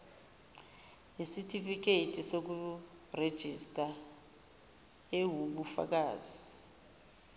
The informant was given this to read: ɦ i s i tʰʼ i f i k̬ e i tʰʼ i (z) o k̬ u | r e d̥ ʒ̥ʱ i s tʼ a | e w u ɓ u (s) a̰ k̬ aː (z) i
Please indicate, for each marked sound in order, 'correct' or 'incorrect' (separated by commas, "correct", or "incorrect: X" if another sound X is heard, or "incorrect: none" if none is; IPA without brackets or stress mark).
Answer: incorrect: s, incorrect: f, correct